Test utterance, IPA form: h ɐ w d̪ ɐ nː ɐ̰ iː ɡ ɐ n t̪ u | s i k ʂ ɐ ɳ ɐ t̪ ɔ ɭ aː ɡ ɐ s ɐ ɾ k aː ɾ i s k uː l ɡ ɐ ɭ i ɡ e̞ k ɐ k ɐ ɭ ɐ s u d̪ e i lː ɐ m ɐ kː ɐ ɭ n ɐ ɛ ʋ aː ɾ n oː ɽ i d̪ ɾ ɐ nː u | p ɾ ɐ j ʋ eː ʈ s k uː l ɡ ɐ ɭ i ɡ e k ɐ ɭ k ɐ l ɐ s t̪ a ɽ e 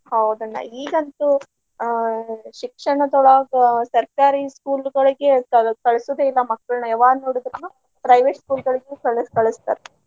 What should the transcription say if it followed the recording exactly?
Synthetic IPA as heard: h ɐ w d̪ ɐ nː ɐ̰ iː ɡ ɐ n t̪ u | ʃ i k ʂ ɐ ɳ ɐ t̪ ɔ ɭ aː ɡ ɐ s ɐ ɾ k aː ɾ i s k uː l ɡ ɐ ɭ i ɡ e̞ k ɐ k ɐ ɭ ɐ s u d̪ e i lː ɐ m ɐ kː ɐ ɭ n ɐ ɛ ʋ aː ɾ n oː ɽ i d̪ ɾ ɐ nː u | p ɾ ɐ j ʋ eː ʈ s k uː l ɡ ɐ ɭ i ɡ e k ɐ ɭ k ɐ ɭ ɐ s t̪ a ɾ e